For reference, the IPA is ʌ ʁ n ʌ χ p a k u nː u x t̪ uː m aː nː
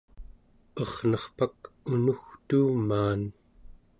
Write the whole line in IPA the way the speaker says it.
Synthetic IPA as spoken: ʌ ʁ n ʌ χ p a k u n u x t̪ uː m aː n